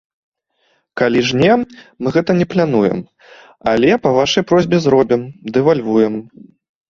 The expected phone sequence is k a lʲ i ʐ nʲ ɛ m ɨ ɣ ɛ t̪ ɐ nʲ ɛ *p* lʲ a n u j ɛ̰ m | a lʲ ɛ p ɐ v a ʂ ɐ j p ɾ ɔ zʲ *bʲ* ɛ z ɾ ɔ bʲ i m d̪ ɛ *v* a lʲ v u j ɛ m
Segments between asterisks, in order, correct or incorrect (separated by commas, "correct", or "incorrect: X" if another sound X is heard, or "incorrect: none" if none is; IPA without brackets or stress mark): correct, correct, correct